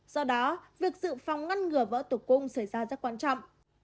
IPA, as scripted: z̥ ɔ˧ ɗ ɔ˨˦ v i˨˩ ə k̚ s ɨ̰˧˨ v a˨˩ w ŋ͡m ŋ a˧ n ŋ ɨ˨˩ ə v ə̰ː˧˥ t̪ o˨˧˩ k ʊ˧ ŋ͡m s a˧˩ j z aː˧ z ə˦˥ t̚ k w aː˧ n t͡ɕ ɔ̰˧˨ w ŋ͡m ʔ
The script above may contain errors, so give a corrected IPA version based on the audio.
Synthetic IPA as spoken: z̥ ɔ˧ ɗ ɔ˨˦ v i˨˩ ə k̚ z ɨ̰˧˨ f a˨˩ w ŋ͡m ŋ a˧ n ŋ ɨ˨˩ ə v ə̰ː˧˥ t̪ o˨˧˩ k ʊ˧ ŋ͡m s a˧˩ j z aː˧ z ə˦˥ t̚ k w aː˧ n t͡ɕ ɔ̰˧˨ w ŋ͡m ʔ